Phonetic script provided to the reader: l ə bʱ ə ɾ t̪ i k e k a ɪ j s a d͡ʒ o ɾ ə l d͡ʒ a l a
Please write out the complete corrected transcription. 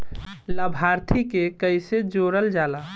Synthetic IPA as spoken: l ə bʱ a ɾ t̪ʰ i k e k ə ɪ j s e d͡ʒ o ɾ ə l d͡ʒ a l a